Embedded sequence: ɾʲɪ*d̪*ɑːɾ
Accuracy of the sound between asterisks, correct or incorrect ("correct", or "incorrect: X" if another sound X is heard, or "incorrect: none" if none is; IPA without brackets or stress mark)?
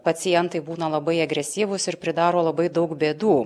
correct